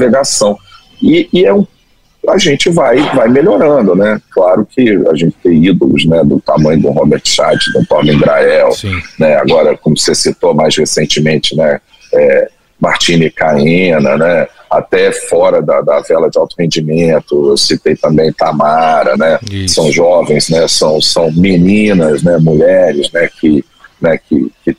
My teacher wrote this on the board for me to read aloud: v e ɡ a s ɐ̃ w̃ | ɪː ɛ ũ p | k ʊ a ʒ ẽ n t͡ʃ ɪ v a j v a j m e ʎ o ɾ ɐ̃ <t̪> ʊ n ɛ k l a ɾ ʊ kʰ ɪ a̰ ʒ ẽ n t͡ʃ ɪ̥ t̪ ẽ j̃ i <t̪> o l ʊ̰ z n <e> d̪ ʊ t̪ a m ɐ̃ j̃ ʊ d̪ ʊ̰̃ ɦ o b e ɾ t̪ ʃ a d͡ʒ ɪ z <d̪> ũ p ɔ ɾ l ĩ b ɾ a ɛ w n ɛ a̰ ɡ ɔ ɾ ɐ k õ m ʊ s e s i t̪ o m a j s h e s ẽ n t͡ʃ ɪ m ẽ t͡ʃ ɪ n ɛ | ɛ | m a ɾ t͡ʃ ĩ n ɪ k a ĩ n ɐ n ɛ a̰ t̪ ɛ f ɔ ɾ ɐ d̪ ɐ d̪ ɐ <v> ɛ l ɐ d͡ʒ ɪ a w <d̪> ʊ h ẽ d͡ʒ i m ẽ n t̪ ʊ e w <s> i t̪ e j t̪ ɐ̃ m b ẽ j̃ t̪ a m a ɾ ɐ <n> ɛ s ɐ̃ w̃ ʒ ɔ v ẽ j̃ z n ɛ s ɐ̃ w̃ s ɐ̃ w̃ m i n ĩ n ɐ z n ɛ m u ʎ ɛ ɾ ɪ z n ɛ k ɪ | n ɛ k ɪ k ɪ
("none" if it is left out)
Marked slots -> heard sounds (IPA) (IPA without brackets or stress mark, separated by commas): d̪, d̪, ɛ, d̪, v, t̪, s, n